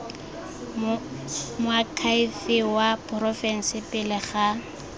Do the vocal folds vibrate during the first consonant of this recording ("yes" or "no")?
yes